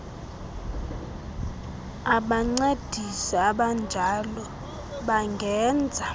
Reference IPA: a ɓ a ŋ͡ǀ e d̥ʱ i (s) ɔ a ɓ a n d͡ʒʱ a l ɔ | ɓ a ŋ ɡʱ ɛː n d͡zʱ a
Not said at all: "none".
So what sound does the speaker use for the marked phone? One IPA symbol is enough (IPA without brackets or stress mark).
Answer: s